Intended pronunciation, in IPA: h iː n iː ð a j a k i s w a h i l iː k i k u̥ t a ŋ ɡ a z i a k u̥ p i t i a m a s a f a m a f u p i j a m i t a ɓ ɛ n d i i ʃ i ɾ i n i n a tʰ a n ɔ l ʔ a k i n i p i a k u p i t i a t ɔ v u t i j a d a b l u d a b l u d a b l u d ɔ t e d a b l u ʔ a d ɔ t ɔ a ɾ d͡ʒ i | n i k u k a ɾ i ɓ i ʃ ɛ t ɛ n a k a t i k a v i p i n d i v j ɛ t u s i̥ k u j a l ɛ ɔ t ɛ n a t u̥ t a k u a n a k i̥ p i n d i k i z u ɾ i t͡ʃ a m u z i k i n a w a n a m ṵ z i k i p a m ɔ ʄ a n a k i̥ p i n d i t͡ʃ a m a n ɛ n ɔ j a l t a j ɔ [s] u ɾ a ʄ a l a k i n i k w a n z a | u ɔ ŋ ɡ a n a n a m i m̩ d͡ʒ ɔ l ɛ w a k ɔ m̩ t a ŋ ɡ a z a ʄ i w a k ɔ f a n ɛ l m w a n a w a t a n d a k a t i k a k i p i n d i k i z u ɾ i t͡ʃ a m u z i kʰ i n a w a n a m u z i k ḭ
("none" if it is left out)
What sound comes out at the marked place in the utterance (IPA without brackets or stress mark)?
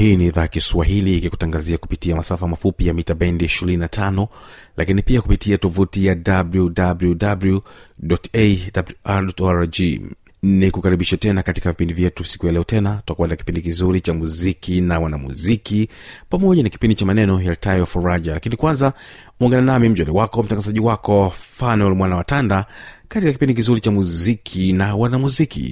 f